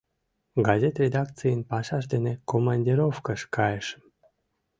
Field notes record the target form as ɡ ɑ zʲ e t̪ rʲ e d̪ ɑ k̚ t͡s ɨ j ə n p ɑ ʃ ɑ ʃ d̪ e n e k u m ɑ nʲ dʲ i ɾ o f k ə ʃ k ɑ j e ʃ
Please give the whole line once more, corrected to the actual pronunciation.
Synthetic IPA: ɡ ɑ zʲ e t̪ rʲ e d̪ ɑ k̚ t͡s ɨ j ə n p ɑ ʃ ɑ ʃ d̪ e n e k o m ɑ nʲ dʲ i ɾ o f k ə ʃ k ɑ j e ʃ